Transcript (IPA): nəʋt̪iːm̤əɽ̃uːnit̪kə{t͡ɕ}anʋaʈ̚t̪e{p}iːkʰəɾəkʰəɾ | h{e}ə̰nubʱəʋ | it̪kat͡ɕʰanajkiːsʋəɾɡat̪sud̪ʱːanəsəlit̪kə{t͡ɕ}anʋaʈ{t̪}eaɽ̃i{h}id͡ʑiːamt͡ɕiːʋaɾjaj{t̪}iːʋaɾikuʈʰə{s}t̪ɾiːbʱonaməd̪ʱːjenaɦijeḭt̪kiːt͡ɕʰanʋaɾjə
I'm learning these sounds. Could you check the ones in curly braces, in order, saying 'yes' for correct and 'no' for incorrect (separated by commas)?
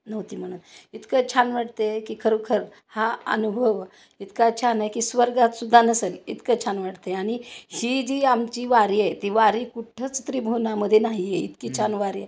no, no, no, no, yes, yes, yes, no